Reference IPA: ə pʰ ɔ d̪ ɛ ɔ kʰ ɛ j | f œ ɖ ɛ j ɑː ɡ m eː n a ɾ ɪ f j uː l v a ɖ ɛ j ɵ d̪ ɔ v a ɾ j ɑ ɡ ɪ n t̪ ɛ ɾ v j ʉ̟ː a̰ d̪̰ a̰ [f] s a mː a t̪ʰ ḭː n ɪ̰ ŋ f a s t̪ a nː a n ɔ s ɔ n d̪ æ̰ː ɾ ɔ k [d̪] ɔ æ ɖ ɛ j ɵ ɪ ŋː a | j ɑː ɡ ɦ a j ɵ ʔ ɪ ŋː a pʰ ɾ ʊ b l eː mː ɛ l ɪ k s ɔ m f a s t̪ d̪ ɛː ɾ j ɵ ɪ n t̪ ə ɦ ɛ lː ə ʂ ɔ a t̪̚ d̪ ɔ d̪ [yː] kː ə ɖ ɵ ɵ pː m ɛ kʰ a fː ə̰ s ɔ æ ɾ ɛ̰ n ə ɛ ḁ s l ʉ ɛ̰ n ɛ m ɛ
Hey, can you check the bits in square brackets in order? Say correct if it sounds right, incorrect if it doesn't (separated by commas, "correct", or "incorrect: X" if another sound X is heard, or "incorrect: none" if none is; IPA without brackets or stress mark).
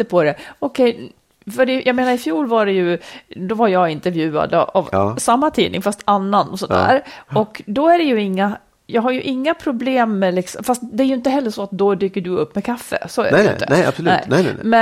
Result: incorrect: v, correct, correct